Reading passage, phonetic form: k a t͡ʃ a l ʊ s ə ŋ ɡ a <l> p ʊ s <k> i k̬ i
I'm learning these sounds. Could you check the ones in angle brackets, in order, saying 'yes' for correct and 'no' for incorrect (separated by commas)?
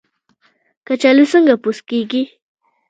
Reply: no, yes